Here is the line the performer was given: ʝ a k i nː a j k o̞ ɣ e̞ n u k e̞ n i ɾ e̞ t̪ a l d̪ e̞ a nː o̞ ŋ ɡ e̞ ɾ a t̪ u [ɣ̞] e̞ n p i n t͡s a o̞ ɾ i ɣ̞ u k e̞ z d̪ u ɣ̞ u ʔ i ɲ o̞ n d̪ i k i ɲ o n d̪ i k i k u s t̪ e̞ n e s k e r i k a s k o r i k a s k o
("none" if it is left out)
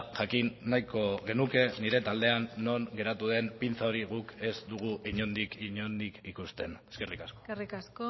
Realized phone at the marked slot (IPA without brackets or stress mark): ð̞